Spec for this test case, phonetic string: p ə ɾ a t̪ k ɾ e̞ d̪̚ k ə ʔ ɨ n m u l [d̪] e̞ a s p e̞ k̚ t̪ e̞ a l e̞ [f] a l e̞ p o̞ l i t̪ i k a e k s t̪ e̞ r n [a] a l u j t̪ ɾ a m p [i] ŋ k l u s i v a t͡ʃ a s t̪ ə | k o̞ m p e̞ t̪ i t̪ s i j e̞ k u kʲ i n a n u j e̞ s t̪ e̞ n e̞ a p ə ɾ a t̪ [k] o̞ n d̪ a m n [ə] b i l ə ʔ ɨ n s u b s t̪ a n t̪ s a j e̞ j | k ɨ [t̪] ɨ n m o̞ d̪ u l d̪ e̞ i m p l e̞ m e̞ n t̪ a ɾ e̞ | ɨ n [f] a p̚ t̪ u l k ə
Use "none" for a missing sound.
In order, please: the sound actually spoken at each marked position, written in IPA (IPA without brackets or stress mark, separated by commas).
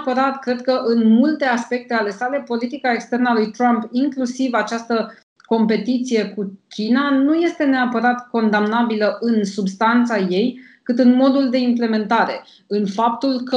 t̪, s, ə, i, k, a, t̪, f